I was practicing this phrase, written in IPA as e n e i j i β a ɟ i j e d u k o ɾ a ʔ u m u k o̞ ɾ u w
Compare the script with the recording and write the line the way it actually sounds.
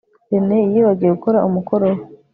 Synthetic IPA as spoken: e n e i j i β a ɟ i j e ɡ u k o ɾ a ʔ u m u k o̞ ɾ o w